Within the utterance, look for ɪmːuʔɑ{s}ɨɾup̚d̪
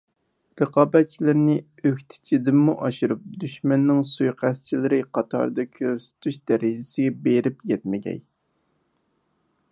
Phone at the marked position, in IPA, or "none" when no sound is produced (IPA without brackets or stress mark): ʃ